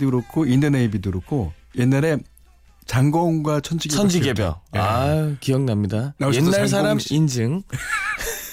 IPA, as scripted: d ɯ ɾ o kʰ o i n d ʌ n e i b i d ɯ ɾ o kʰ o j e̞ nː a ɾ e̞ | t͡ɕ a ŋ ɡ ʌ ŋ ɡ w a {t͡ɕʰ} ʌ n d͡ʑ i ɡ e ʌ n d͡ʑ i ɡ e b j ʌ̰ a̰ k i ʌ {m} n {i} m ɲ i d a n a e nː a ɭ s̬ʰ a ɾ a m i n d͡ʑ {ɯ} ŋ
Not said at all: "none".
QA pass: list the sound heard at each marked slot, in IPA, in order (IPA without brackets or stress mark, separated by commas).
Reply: t͡ɕʰ, ŋ, a, ɯ